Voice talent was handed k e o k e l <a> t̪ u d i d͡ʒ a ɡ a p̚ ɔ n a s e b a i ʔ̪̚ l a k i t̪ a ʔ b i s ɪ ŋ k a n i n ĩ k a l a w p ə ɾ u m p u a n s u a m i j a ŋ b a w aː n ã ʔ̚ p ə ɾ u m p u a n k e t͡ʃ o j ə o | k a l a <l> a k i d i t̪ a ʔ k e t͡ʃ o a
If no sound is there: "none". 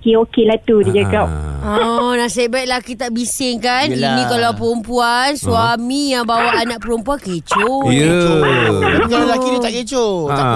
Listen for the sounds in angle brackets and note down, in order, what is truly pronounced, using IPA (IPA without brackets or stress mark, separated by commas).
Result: a, l